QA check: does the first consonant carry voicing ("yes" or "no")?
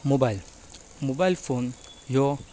yes